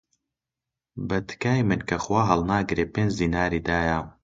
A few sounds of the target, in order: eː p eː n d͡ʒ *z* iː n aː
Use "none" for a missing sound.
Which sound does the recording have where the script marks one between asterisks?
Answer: z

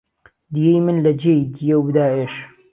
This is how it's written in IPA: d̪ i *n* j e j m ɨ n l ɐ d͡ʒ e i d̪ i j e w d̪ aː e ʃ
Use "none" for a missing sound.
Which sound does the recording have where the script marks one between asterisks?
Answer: none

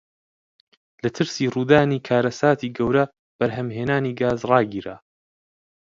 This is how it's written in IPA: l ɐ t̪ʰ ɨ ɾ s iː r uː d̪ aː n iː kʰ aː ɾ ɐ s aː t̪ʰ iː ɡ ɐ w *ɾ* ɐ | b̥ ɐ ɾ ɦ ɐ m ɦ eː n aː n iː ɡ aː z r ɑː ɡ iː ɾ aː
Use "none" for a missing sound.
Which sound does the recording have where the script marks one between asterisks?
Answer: ɾ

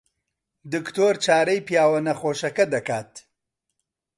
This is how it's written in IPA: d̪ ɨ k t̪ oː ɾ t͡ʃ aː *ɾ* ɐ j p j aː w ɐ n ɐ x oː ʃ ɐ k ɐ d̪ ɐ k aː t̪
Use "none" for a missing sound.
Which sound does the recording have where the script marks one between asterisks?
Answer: ɾ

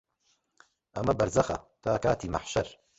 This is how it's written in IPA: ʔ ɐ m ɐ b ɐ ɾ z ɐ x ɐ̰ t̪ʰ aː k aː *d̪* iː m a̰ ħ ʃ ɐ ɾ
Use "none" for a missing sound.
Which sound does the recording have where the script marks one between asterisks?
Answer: t̪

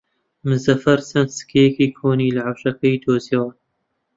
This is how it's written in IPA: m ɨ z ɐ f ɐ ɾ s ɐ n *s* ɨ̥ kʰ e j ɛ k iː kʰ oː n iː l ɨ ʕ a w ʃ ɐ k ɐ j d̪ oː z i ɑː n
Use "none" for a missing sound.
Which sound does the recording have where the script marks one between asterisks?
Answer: s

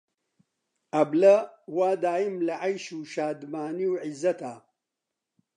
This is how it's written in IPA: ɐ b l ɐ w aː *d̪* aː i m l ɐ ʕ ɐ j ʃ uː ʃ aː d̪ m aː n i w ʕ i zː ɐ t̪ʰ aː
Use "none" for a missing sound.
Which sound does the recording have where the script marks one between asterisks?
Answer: d̪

